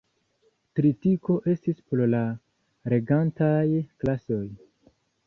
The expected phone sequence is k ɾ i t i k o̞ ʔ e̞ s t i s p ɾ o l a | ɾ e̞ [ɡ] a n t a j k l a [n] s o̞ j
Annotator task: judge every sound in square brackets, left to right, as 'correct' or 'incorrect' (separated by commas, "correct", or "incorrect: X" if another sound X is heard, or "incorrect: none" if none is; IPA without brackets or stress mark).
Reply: correct, incorrect: none